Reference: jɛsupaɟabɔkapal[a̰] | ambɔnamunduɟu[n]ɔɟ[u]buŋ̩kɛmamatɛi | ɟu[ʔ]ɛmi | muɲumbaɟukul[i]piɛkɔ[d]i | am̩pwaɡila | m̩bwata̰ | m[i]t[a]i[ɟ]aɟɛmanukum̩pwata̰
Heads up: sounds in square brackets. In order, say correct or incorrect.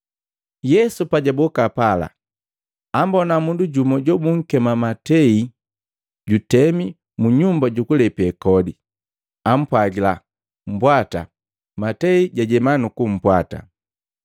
correct, incorrect, incorrect, incorrect, incorrect, correct, incorrect, incorrect, correct

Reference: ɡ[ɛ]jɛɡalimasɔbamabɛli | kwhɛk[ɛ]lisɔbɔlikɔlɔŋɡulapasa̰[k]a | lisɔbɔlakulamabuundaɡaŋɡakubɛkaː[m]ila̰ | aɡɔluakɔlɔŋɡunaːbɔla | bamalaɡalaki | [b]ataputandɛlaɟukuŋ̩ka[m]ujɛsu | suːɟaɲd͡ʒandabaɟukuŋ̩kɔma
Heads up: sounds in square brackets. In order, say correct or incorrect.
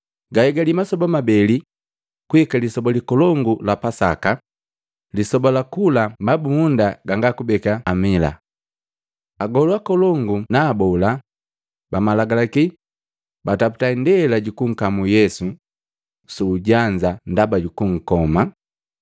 incorrect, incorrect, correct, correct, correct, correct

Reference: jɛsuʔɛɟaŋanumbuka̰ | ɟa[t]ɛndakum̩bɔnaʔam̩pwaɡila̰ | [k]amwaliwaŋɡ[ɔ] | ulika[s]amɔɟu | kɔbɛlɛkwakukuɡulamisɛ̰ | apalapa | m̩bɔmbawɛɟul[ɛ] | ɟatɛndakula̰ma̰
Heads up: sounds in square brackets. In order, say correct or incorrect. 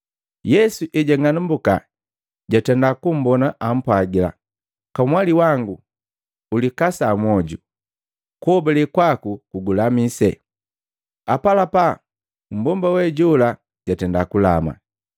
correct, correct, incorrect, correct, incorrect

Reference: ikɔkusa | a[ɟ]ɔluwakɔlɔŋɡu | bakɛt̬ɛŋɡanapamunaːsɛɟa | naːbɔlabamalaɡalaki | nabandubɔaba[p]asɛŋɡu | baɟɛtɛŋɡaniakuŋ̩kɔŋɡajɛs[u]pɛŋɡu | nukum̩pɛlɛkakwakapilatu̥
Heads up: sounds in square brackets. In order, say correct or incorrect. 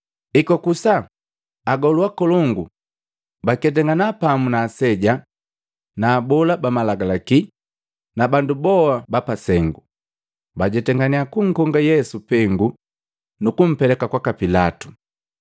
incorrect, correct, correct

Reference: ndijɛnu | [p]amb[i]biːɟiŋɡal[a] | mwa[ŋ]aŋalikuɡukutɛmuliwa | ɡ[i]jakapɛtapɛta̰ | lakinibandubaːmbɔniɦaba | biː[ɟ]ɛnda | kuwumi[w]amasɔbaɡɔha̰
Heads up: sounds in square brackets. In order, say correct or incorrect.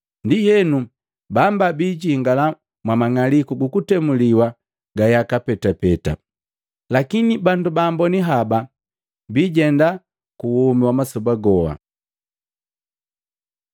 incorrect, incorrect, correct, incorrect, incorrect, correct, correct

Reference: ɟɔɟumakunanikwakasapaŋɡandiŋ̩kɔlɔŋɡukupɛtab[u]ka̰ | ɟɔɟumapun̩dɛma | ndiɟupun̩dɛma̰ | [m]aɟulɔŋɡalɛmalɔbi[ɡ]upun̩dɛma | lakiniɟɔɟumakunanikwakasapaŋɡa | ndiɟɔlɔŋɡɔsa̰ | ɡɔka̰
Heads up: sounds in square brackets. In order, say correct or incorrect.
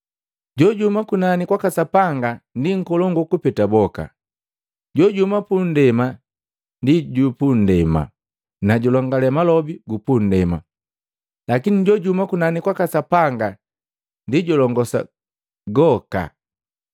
incorrect, incorrect, correct

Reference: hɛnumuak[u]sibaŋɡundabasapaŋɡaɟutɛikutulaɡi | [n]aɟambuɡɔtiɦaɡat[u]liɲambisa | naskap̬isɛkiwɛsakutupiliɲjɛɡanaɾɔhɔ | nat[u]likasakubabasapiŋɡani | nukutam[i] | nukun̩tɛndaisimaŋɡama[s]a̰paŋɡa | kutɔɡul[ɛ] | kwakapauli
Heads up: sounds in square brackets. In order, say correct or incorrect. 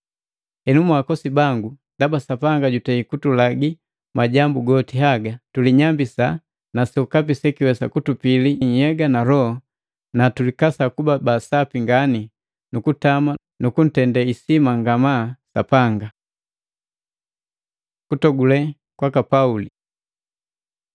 incorrect, incorrect, correct, correct, incorrect, correct, correct

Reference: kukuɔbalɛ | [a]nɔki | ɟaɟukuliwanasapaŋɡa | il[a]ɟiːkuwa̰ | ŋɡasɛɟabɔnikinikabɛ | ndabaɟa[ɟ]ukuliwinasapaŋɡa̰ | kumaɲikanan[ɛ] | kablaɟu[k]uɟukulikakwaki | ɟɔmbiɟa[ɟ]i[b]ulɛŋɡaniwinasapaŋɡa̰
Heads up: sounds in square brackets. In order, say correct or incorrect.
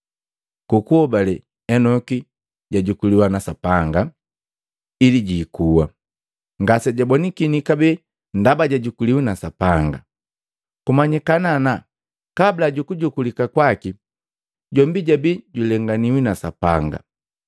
incorrect, incorrect, correct, incorrect, correct, incorrect, incorrect

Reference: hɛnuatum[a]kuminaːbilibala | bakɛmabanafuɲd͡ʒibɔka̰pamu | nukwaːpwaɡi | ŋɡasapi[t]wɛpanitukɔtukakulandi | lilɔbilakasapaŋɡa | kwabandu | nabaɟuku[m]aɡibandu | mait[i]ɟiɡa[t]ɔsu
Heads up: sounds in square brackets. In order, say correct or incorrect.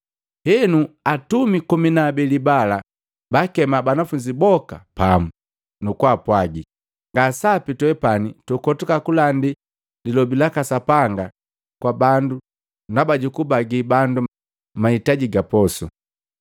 incorrect, correct, incorrect, incorrect, incorrect

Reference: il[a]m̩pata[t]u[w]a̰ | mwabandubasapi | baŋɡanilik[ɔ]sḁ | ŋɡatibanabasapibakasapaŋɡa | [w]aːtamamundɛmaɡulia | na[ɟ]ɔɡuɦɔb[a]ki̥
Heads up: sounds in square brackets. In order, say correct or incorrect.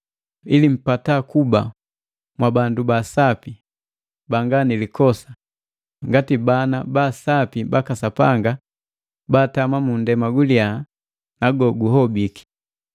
incorrect, incorrect, incorrect, correct, incorrect, incorrect, incorrect

